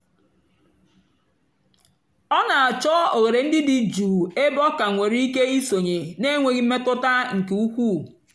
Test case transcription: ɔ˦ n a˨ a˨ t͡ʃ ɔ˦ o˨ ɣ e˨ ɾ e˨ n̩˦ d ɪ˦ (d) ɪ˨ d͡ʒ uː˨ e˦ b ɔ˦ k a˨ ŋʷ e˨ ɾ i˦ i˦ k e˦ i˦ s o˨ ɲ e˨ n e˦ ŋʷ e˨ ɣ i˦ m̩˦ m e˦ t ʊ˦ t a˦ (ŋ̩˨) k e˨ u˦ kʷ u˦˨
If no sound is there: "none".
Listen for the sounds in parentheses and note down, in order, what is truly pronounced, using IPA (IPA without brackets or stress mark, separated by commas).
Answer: d, ŋ̩˨